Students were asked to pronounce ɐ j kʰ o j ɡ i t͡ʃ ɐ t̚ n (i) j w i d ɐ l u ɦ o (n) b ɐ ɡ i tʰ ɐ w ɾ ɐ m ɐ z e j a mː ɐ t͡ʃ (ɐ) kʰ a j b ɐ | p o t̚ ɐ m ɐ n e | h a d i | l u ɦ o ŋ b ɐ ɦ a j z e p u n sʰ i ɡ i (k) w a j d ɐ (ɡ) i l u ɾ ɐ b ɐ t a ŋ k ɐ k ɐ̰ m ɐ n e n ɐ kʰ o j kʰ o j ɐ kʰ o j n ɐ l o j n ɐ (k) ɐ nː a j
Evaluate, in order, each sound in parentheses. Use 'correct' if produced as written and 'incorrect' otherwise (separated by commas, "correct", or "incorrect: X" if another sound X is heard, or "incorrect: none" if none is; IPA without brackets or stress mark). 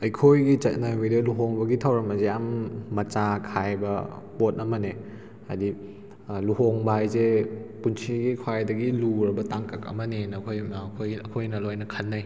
incorrect: a, incorrect: ŋ, incorrect: a, incorrect: kʰ, correct, incorrect: kʰ